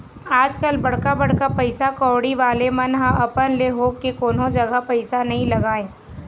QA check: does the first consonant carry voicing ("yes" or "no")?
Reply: yes